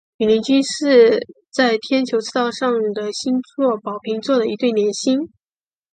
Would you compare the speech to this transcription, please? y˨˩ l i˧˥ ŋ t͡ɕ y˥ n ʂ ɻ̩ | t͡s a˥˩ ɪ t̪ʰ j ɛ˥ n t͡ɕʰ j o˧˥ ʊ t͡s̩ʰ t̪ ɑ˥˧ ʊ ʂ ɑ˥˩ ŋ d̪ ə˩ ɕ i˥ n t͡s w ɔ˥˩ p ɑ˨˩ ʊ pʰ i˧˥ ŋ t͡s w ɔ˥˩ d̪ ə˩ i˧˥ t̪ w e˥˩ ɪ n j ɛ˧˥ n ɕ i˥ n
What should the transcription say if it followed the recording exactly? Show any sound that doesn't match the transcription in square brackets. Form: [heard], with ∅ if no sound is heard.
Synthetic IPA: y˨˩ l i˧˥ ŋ t͡ɕ y˥ n ʂ ɻ̩ | t͡s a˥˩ ɪ t̪ʰ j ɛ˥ n t͡ɕʰ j o˧˥ ʊ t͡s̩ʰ t̪ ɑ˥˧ ʊ ʂ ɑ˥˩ ŋ d̪ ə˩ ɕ i˥ n t͡s w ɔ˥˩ p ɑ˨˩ ʊ pʰ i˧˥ ŋ t͡s w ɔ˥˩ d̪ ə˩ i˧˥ t̪ w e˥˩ ɪ n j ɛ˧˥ n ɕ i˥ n